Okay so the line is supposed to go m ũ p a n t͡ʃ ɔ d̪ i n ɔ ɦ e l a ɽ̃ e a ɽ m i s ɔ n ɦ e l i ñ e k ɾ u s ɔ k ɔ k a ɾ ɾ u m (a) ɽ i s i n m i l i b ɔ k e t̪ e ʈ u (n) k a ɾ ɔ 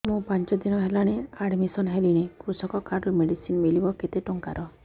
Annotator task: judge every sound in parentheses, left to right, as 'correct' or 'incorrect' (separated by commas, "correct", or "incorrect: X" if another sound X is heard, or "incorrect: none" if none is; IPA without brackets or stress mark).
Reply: incorrect: e, incorrect: ŋ